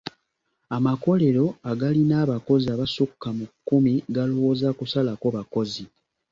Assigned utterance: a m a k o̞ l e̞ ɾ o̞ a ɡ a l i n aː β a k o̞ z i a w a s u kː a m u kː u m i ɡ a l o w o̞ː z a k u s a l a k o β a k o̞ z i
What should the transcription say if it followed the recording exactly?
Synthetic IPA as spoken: a m a k o̞ l e̞ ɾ o̞ a ɡ a l i n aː β a k o̞ z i a β a s u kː a m u kː u m i ɡ a l o w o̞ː z a k u s a l a k o β a k o̞ z i